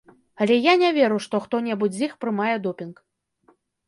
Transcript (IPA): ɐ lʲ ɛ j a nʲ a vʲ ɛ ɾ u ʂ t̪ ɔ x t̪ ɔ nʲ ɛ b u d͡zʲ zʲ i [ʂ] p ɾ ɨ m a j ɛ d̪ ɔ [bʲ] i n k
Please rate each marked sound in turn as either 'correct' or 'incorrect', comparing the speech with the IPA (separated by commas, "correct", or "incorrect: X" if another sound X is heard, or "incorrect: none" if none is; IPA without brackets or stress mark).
incorrect: x, incorrect: pʲ